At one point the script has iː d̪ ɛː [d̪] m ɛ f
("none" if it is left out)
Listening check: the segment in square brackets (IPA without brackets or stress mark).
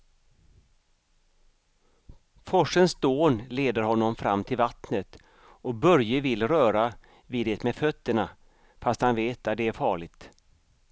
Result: t̪